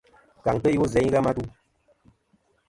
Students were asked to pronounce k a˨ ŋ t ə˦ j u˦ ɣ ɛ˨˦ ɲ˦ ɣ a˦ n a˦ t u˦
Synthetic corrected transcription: k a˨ ŋ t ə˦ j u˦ z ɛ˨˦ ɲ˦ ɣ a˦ m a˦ t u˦